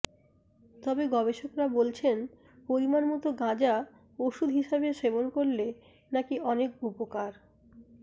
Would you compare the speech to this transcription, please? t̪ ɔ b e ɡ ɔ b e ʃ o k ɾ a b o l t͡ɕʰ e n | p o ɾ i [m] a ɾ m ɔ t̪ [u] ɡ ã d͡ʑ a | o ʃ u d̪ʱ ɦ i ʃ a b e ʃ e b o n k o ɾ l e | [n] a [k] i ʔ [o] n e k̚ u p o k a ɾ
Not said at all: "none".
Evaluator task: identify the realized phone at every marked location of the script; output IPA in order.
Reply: m, o, n, k, ɔ

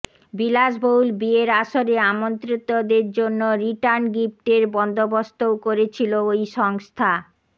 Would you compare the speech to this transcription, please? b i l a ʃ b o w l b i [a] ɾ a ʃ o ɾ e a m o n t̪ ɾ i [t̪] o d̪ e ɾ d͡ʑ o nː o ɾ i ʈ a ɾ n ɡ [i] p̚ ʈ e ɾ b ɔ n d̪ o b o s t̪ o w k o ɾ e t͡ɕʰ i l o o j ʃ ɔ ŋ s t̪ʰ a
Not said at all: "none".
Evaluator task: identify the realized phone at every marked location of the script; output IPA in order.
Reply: e, t̪, i

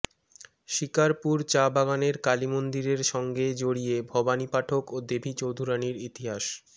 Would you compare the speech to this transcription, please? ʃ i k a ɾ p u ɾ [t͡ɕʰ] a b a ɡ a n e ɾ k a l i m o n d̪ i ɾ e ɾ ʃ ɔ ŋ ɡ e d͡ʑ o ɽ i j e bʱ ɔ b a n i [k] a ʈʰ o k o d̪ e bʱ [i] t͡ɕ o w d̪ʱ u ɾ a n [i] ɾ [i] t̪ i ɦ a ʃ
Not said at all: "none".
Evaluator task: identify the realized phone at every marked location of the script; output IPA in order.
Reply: t͡ɕ, p, i, i, i

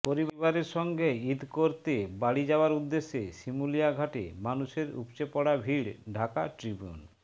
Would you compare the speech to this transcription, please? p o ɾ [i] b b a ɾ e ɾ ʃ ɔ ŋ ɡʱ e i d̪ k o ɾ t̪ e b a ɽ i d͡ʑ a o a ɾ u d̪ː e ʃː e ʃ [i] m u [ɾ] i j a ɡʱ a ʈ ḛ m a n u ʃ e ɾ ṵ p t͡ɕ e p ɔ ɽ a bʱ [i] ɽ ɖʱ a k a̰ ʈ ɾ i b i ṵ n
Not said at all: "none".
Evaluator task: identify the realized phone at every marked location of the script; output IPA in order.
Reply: i, i, l, i

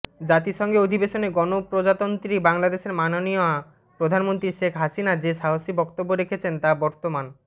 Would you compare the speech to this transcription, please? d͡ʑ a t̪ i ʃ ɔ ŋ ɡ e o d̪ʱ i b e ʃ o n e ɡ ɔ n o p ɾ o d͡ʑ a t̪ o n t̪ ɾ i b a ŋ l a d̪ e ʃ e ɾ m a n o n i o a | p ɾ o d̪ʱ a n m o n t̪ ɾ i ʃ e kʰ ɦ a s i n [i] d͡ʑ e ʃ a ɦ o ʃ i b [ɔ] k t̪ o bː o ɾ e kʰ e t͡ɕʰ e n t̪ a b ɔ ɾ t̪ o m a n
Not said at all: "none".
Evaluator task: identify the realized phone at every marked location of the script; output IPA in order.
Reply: a, ɔ

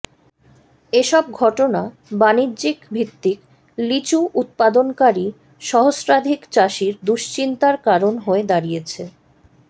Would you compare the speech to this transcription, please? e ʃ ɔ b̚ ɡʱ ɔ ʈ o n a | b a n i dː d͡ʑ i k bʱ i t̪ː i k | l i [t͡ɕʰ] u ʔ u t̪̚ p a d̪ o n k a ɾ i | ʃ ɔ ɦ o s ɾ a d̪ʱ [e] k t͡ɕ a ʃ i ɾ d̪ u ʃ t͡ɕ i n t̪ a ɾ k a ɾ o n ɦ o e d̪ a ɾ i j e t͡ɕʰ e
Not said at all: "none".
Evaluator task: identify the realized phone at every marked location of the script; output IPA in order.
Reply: t͡ɕ, i

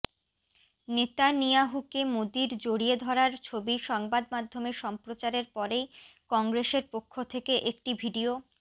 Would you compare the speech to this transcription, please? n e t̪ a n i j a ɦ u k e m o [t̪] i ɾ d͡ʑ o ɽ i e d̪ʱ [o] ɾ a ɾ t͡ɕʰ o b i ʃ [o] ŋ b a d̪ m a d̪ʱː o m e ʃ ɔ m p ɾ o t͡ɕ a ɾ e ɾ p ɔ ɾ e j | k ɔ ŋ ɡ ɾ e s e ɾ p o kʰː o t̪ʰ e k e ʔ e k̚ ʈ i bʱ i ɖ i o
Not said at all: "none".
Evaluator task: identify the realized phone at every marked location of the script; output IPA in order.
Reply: d̪, ɔ, ɔ

